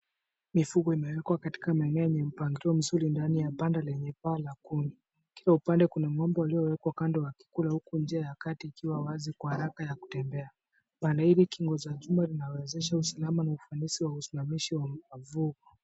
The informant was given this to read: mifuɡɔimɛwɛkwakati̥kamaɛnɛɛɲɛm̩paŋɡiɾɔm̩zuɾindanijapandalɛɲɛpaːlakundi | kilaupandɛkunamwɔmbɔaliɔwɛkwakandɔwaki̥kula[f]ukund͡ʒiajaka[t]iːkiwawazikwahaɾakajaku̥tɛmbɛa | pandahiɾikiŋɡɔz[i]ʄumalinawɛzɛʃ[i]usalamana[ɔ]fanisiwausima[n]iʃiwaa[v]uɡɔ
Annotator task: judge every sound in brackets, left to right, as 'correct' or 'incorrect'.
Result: incorrect: h, correct, incorrect: a, incorrect: a, incorrect: u, incorrect: m, correct

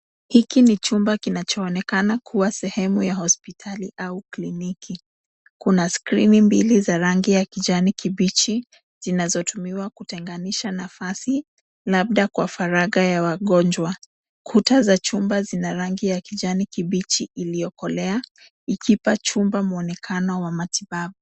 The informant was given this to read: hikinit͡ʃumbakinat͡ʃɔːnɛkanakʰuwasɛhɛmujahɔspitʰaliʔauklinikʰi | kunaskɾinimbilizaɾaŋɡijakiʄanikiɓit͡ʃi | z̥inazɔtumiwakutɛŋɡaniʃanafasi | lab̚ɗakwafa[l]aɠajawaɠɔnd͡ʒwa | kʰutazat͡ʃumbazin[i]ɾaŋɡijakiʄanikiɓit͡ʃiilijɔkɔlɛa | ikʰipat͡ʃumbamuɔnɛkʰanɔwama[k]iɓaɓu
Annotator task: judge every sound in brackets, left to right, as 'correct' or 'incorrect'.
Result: incorrect: ɾ, incorrect: a, incorrect: t

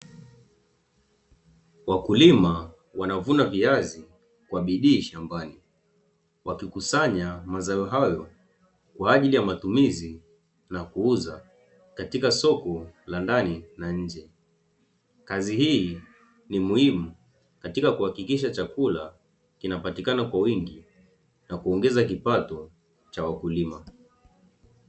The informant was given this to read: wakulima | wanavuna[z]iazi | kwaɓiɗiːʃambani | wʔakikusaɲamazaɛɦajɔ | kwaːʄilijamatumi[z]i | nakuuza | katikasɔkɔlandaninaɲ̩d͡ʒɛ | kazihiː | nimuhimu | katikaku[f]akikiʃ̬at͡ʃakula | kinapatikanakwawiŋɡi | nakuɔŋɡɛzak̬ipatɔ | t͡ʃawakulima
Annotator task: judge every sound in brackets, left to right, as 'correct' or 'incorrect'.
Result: incorrect: v, correct, incorrect: h

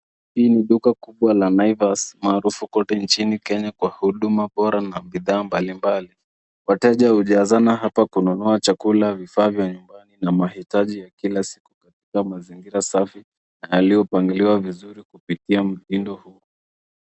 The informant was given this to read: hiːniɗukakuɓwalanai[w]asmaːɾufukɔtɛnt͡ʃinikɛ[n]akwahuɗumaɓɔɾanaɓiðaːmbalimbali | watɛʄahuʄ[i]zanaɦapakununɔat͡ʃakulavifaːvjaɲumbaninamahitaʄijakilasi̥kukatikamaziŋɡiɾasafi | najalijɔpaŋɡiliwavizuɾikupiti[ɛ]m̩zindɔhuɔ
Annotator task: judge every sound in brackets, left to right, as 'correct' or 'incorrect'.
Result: incorrect: v, incorrect: ɲ, incorrect: a, incorrect: a

